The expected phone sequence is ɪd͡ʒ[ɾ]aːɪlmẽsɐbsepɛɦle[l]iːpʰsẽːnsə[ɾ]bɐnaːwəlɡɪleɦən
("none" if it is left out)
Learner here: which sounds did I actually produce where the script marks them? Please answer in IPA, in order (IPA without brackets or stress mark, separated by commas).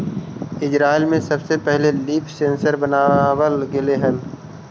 ɾ, l, ɾ